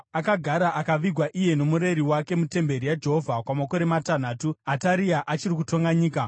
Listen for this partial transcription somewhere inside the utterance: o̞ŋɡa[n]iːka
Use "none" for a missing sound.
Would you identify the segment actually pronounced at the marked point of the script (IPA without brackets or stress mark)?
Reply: ɲ